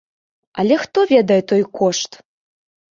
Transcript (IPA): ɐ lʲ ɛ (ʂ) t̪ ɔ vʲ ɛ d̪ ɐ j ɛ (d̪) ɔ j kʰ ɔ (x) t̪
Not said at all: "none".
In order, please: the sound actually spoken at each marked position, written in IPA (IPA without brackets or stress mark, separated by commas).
x, t̪, ʂ